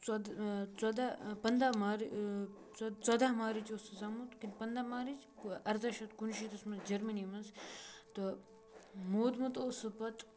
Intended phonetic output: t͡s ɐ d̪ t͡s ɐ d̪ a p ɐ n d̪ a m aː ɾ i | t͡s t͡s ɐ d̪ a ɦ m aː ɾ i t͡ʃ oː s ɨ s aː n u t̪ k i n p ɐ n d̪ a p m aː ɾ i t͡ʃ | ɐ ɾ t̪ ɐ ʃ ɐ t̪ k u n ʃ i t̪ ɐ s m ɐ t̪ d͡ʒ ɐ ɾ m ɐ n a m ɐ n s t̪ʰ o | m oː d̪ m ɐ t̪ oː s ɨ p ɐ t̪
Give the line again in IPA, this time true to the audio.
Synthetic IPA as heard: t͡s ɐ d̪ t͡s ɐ d̪ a p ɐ n d̪ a m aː ɾ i | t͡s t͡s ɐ d̪ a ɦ m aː ɾ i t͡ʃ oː s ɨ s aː m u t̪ k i n p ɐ n d̪ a m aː ɾ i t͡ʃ | ɐ ɾ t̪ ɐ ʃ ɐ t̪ k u n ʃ i t̪ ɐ s m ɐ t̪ d͡ʒ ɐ ɾ m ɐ n i m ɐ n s t̪ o | m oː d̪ m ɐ t̪ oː s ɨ p ɐ t̪